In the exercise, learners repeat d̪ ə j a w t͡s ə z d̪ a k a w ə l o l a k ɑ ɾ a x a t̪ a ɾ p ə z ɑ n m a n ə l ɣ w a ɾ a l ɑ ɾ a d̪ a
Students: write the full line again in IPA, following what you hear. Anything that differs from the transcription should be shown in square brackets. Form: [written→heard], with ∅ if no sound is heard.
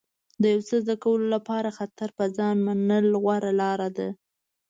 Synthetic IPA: d̪ ə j a w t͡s ə z d̪ a k a w ə l o l a [k→p] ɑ ɾ a x a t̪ a ɾ p ə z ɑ n m a n ə l ɣ w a ɾ a l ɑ ɾ a d̪ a